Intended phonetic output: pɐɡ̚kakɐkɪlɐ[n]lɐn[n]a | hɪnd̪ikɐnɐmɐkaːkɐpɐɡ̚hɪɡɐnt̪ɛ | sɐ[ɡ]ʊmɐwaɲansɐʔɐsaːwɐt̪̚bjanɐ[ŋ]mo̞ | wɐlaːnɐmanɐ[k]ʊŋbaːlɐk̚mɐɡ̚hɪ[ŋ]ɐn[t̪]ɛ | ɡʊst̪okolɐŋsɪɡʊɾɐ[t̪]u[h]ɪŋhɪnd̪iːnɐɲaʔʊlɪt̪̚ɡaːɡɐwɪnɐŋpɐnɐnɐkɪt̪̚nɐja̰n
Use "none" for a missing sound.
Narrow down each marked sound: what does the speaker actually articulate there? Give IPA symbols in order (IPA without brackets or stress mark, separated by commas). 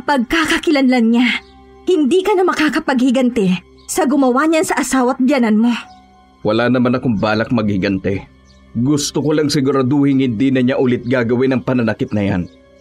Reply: n, ɲ, ɡ, n, k, ɡ, t̪, d̪, h